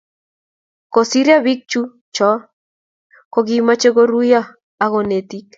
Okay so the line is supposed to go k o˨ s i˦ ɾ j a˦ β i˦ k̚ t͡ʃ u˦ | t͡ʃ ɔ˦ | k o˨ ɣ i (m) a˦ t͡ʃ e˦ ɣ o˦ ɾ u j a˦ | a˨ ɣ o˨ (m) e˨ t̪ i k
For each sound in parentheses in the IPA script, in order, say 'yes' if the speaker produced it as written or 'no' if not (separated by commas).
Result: yes, no